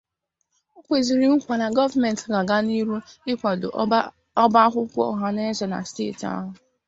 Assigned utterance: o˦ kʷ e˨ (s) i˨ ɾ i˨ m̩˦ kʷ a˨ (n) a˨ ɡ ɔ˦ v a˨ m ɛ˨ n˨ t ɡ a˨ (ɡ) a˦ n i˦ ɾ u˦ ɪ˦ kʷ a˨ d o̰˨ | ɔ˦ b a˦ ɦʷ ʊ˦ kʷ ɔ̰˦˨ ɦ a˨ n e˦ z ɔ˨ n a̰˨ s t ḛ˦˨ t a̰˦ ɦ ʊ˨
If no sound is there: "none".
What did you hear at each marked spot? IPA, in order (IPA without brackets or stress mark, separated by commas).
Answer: z, n, ɡ